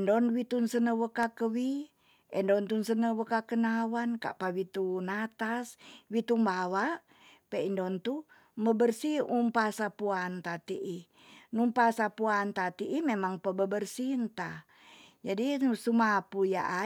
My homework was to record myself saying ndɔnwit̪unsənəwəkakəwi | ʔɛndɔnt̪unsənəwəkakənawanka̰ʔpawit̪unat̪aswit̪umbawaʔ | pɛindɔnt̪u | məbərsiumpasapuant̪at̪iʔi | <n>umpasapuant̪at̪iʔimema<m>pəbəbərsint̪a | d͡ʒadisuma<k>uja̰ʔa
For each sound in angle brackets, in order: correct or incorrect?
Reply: correct, incorrect: ŋ, incorrect: p

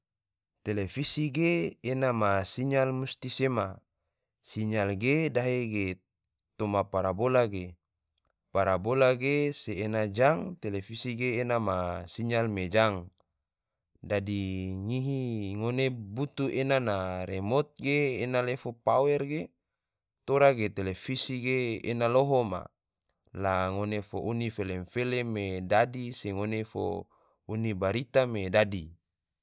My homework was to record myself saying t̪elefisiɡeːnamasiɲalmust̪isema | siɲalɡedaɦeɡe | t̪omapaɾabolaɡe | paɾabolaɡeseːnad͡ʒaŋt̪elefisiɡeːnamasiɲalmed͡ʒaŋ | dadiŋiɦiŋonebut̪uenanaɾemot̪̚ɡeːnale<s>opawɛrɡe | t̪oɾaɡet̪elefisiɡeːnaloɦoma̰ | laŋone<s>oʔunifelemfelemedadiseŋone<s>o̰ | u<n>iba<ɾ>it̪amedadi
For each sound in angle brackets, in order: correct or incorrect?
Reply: incorrect: f, incorrect: f, incorrect: f, correct, correct

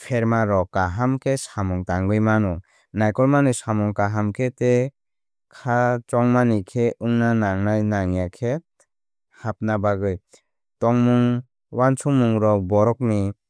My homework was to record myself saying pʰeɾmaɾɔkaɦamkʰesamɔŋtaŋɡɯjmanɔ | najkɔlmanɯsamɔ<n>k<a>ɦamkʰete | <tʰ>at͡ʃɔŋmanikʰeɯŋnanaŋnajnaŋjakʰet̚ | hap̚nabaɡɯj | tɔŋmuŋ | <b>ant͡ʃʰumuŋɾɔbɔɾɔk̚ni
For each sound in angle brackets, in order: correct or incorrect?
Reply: incorrect: ŋ, correct, incorrect: kʰ, incorrect: w

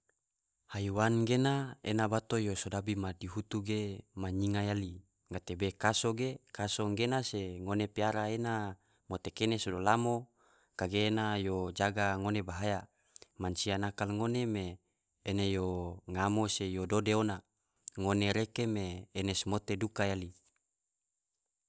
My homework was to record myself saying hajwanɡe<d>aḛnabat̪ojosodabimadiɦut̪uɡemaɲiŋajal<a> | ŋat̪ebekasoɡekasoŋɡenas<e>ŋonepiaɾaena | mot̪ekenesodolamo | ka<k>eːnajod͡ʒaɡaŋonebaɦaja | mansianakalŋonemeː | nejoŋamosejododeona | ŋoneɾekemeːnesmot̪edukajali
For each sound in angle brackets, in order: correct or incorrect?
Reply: incorrect: n, incorrect: i, correct, incorrect: ɡ

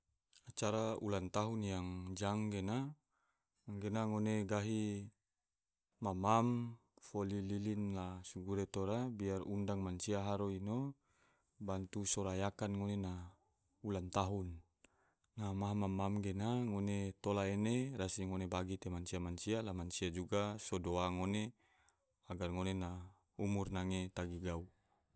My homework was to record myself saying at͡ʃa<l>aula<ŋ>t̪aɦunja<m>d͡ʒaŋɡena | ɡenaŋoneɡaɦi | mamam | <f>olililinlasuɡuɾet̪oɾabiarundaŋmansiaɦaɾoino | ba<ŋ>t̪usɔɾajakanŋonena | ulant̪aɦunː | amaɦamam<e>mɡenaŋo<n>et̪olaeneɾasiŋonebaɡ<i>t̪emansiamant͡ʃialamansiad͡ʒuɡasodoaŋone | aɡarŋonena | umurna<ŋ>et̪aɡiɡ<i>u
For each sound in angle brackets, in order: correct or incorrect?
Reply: incorrect: ɾ, incorrect: n, incorrect: ŋ, correct, incorrect: n, incorrect: a, correct, correct, correct, incorrect: a

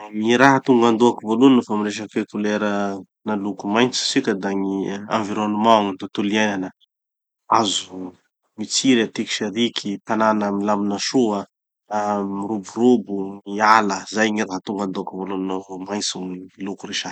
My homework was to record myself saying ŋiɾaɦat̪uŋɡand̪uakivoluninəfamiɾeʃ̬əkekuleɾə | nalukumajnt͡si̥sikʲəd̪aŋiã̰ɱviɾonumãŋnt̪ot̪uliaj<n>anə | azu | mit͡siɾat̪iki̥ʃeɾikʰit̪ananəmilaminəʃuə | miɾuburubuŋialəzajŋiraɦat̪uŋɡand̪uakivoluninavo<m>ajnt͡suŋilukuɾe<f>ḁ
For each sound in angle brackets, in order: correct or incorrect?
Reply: correct, correct, incorrect: ʃ

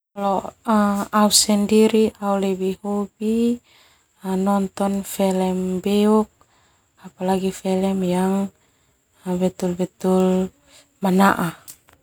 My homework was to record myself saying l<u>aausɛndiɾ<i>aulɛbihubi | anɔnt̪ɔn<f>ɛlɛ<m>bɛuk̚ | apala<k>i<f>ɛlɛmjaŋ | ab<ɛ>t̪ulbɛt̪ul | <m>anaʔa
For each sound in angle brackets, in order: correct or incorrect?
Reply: incorrect: ɔ, correct, correct, correct, incorrect: ɡ, correct, correct, correct

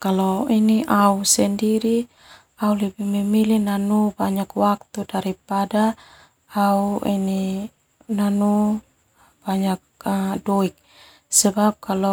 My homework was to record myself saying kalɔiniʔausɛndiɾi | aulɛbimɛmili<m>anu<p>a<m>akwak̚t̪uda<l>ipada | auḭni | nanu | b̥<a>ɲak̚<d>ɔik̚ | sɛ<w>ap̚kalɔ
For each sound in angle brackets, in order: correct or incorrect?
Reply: incorrect: n, incorrect: b, incorrect: ɲ, incorrect: ɾ, correct, correct, incorrect: b

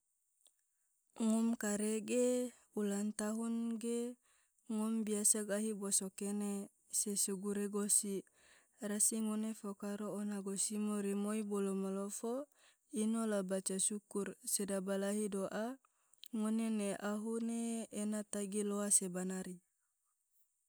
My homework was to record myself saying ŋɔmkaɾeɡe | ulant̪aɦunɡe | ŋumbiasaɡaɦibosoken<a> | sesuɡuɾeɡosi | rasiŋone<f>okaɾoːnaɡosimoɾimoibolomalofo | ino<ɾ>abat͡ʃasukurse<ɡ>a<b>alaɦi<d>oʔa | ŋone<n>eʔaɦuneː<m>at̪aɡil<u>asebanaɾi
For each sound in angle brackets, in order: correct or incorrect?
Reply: incorrect: e, correct, incorrect: l, incorrect: d, correct, correct, correct, incorrect: n, incorrect: o

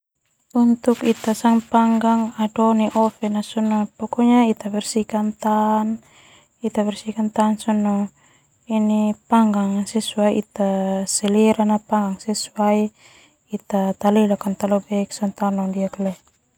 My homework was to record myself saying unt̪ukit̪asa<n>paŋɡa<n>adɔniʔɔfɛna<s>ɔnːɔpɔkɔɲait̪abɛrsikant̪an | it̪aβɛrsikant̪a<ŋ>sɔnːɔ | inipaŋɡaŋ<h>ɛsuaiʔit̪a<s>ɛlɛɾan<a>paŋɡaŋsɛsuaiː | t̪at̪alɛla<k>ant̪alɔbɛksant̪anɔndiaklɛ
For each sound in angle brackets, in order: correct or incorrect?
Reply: incorrect: ŋ, incorrect: ŋ, correct, incorrect: n, incorrect: s, correct, correct, correct

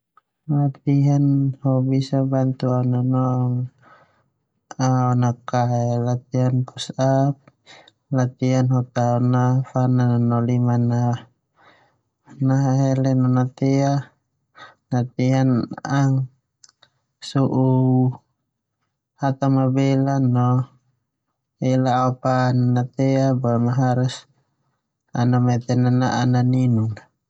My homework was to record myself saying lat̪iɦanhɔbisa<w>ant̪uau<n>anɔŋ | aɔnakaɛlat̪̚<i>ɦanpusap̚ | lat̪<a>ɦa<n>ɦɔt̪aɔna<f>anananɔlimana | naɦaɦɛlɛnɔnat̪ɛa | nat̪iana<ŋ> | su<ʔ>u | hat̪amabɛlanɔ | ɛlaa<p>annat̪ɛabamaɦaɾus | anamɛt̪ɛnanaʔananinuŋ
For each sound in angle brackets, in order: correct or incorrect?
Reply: incorrect: b, correct, correct, incorrect: i, correct, correct, correct, correct, correct

